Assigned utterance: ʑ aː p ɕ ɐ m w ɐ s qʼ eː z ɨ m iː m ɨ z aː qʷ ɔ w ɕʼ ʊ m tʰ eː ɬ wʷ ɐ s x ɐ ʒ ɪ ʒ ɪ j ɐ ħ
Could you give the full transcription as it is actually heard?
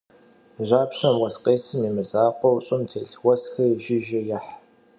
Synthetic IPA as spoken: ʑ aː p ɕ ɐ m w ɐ s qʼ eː s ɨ m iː m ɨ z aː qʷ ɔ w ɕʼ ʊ m tʰ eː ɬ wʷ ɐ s x ɐ ʒ ɪ ʒ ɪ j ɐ ħ